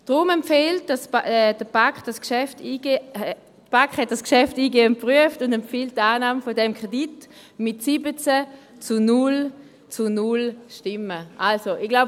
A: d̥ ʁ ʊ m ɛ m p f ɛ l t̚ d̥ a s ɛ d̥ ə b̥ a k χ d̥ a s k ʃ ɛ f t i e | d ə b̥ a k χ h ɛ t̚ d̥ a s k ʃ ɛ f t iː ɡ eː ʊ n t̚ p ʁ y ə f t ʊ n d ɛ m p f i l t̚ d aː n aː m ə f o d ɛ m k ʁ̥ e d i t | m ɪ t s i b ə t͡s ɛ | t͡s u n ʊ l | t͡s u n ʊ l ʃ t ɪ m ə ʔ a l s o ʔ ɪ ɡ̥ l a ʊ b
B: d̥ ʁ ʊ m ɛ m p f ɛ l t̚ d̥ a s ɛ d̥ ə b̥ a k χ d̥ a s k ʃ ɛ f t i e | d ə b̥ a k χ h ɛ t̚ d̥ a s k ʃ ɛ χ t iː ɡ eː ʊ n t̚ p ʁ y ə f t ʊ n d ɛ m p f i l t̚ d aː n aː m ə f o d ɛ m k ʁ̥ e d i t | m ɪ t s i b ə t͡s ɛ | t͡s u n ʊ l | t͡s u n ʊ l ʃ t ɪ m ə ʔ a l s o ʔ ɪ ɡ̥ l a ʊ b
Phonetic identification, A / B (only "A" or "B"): A